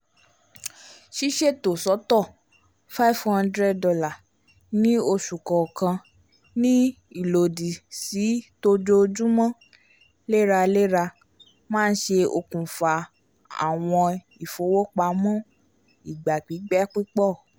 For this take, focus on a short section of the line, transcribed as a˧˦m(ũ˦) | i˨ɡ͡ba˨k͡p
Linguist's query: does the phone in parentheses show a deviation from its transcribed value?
yes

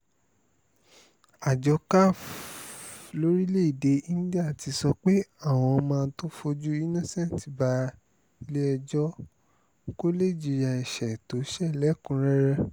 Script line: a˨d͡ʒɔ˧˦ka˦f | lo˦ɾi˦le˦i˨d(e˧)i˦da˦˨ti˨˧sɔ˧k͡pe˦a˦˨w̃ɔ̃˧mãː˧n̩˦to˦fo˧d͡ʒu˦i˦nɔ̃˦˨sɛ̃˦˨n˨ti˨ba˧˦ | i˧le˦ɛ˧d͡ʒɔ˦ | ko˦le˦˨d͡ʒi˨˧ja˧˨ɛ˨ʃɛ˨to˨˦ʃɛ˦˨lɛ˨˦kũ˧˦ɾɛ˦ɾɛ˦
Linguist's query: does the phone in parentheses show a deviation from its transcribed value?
no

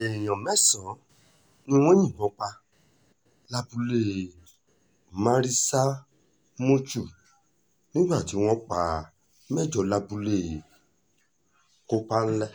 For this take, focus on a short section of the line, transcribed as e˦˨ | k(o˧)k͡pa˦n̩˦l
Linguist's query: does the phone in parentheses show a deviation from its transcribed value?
no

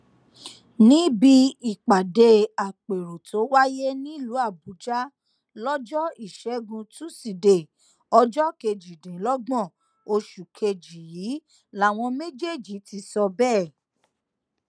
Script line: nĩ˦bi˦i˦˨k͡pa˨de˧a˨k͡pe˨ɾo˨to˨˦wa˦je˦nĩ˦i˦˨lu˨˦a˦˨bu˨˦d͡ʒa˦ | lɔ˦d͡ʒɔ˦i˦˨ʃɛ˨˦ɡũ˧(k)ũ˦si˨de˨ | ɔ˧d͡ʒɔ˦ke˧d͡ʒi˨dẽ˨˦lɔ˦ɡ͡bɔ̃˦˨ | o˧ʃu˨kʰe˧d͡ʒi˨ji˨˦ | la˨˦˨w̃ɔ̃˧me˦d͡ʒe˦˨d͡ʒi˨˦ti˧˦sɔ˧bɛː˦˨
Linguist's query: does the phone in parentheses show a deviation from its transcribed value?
yes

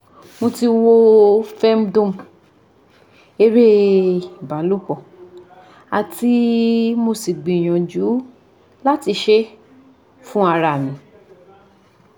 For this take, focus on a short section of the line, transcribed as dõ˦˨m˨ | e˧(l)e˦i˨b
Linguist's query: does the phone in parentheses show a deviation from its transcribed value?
yes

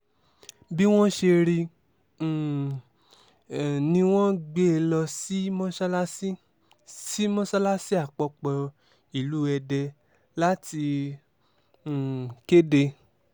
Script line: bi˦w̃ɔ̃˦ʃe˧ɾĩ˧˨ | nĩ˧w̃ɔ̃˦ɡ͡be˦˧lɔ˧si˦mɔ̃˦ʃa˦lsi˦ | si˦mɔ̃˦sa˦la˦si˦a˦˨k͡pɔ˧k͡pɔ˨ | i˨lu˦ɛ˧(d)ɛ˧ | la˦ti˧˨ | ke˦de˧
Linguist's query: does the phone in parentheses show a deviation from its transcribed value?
no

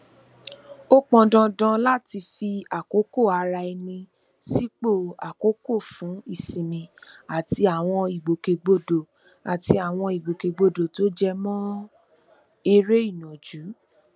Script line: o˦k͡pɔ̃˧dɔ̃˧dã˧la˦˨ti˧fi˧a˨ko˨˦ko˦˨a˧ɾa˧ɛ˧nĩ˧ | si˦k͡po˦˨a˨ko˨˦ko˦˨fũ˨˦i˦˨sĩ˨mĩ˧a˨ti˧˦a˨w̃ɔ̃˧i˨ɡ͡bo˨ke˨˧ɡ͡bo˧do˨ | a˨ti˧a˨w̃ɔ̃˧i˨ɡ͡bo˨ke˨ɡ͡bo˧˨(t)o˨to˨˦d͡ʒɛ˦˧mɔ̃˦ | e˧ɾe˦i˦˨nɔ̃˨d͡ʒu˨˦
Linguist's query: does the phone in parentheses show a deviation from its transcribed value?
yes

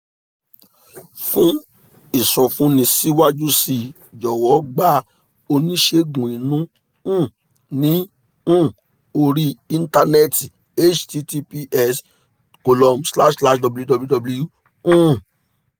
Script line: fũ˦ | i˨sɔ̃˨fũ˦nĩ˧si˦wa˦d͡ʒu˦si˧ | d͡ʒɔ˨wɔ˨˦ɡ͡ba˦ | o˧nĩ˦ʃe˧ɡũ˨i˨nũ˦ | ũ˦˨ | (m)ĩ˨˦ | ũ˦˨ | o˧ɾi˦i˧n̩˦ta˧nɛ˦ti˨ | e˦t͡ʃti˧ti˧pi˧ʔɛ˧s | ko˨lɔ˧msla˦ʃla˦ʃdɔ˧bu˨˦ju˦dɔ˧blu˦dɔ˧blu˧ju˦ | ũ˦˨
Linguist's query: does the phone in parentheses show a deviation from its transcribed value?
yes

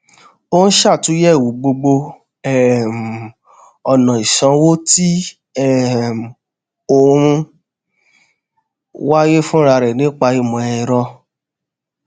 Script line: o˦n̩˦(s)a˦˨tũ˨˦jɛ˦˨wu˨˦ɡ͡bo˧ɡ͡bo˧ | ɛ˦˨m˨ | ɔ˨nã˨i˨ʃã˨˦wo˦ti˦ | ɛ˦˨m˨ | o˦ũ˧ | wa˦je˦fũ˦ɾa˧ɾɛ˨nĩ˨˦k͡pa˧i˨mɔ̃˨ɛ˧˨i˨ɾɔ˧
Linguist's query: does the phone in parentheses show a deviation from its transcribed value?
yes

